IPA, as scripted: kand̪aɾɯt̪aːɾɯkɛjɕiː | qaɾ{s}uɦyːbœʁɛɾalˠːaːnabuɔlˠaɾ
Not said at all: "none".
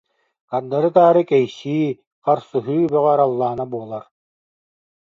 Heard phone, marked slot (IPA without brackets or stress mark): s